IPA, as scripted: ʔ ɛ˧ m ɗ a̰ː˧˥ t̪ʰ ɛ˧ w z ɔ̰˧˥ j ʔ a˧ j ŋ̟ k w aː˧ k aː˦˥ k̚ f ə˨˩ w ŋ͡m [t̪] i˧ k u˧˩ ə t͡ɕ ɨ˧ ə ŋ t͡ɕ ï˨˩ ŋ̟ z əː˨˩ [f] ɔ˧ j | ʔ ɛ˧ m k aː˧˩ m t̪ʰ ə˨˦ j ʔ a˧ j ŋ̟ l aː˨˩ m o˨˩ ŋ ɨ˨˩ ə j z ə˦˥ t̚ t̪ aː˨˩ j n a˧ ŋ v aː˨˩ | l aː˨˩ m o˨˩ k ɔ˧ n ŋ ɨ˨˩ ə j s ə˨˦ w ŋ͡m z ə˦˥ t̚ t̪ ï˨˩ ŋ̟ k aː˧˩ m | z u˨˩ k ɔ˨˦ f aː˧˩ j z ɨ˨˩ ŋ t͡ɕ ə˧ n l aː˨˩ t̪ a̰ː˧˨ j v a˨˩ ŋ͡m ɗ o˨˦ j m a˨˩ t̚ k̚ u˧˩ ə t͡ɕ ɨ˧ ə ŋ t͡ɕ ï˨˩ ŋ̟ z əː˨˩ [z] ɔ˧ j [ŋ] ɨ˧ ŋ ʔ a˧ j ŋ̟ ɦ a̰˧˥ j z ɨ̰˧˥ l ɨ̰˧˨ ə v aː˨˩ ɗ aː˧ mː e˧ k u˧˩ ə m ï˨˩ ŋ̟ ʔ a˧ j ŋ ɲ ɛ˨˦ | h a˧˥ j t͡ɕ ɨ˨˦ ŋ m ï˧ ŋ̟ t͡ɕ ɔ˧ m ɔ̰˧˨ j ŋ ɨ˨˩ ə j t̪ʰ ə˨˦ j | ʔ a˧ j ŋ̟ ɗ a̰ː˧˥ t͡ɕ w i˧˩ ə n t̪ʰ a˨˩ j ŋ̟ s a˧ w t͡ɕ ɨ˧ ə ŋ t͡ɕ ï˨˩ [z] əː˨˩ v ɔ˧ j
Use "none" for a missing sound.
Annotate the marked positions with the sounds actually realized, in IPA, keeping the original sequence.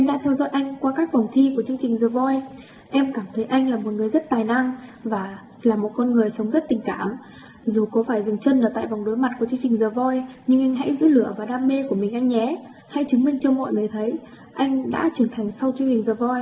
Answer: t̪ʰ, v, v, ɲ, z

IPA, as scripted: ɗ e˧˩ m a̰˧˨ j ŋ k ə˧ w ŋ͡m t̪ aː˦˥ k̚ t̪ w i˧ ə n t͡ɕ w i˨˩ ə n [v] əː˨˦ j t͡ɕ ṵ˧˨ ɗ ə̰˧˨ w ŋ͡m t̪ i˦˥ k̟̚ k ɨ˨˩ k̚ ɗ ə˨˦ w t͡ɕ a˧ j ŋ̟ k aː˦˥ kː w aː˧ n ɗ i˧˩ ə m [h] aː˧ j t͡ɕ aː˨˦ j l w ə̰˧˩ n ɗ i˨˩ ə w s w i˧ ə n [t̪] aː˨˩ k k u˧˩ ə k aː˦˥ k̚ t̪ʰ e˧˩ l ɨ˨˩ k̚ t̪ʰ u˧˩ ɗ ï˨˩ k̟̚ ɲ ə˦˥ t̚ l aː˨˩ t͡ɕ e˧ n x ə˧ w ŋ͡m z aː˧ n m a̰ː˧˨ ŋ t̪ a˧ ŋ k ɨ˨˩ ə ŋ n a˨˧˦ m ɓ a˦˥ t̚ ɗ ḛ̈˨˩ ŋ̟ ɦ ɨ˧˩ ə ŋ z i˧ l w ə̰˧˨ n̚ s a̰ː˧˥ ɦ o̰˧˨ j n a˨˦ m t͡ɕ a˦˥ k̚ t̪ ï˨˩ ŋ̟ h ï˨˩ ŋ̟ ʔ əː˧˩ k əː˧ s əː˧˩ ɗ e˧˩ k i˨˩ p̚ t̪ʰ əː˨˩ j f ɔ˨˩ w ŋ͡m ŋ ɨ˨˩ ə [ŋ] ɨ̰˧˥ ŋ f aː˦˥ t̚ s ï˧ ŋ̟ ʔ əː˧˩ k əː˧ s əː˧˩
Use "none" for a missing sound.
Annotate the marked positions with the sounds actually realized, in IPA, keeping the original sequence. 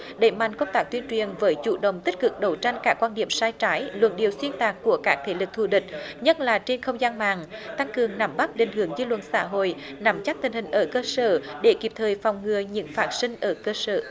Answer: v, s, t̪, ɲ

